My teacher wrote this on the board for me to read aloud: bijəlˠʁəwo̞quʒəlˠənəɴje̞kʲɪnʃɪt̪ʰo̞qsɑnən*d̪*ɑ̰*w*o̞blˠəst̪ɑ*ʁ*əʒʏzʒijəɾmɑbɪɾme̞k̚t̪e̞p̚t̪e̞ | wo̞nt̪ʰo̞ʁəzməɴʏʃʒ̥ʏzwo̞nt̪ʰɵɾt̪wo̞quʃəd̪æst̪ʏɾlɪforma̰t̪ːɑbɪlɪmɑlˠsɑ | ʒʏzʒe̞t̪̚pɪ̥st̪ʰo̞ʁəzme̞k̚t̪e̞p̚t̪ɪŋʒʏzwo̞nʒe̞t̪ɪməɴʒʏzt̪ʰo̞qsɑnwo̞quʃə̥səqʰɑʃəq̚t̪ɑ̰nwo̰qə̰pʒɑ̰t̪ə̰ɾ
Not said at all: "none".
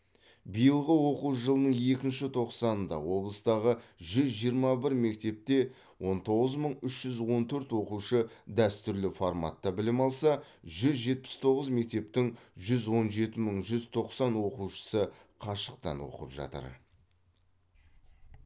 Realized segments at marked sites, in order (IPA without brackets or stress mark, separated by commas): d̪, w, ʁ